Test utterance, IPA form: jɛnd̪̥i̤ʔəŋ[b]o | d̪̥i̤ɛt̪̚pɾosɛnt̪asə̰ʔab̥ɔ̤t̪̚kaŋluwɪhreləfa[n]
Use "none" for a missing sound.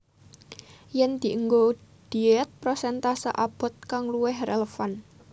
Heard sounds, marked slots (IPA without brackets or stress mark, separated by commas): ɡ, n